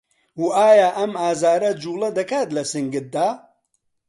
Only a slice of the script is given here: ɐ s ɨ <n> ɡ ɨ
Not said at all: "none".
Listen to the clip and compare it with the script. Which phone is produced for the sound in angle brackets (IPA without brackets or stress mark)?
ŋ